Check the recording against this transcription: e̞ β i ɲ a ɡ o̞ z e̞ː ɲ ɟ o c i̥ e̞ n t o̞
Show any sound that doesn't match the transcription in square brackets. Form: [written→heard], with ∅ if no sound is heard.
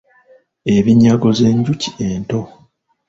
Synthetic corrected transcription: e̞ β i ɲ a ɡ o̞ z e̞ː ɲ ɟ [o→u] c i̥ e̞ n t o̞